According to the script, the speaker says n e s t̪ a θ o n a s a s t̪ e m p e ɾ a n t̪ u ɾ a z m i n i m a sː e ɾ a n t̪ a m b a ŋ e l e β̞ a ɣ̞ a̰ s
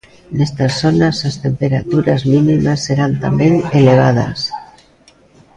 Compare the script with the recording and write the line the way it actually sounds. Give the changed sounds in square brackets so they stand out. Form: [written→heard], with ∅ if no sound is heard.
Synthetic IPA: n e s t̪ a [θ→s] o n a s a s t̪ e m p e ɾ a [n→∅] t̪ u ɾ a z m i n i m a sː e ɾ a n t̪ a m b [a→e] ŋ e l e β̞ a [ɣ̞→ð̞] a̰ s